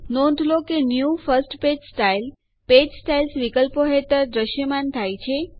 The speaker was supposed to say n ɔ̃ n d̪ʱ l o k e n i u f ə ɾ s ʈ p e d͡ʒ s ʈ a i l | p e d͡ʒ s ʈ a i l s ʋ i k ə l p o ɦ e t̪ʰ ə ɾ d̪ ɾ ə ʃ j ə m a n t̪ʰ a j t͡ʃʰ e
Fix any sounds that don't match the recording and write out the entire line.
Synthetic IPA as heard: n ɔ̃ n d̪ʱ l o k e n j u f ə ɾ s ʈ p e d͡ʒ s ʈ a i l | p e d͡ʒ s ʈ a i l s ʋ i k ə l p o ɦ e t̪ ə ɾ d̪ ɾ ə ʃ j ə m a n t̪ʰ a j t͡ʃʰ e